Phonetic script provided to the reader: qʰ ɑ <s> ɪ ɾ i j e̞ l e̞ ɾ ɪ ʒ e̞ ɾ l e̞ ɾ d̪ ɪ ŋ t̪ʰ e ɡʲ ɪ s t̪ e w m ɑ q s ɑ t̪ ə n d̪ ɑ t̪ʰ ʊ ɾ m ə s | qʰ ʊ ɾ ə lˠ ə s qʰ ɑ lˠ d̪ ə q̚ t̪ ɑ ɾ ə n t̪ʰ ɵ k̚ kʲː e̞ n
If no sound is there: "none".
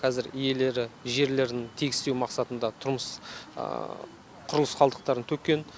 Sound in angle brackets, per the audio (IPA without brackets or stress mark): z